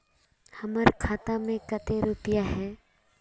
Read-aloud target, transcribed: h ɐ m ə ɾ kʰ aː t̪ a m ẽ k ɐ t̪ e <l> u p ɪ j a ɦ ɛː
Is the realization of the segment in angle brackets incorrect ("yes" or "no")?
yes